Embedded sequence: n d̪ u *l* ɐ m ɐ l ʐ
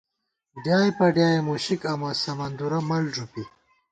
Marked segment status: incorrect: ɾ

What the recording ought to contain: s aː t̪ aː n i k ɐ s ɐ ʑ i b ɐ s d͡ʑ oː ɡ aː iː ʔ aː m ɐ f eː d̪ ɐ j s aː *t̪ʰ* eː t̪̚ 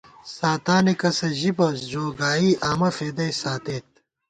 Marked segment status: incorrect: t̪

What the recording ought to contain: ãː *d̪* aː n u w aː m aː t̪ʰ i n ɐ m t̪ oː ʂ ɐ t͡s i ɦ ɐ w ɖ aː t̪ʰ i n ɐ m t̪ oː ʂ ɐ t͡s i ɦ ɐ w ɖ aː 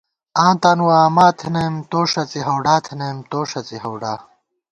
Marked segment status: incorrect: t̪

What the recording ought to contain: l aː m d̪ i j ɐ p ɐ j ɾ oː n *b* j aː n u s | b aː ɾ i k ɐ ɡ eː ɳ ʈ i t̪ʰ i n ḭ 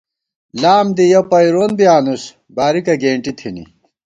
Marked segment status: correct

